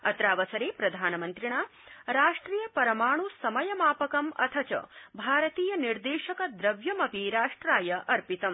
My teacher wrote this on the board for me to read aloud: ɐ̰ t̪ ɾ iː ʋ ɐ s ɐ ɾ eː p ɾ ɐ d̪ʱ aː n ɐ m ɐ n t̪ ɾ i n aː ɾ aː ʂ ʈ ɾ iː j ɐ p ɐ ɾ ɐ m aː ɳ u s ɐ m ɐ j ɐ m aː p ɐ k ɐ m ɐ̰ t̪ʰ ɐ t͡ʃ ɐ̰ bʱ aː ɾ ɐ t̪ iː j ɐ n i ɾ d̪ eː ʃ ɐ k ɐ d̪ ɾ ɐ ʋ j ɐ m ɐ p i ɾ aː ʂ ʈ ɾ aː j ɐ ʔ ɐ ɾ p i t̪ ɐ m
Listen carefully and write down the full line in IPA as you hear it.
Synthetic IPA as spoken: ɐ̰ t̪ ɾ aː ʋ ɐ s ɐ ɾ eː p ɾ ɐ d̪ʱ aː n ɐ m ɐ n t̪ ɾ i ɳ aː ɾ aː ʂ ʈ ɾ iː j ɐ p ɐ ɾ ɐ m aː ɳ u s ɐ m ɐ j ɐ m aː p ɐ k ɐ m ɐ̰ t̪ʰ ɐ t͡ʃ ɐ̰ bʱ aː ɾ ɐ t̪ iː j ɐ n i ɾ d̪ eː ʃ ɐ k ɐ d̪ ɾ ɐ ʋ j ɐ m ɐ p i ɾ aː ʂ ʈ ɾ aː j ɐ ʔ ɐ ɾ p i t̪ ɐ m